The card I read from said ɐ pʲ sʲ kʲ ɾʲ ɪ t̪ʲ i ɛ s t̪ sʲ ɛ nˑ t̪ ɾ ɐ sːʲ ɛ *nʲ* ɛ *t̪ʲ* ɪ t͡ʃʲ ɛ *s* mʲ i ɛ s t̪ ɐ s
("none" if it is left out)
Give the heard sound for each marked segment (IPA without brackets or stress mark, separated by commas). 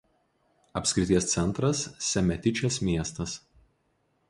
mʲ, t̪ʲ, s